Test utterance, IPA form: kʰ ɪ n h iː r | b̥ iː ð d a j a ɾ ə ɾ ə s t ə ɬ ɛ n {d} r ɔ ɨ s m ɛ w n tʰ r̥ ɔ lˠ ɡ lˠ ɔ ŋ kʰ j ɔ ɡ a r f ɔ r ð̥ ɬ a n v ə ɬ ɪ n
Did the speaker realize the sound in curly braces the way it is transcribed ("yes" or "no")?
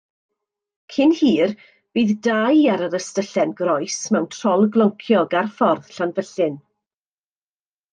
no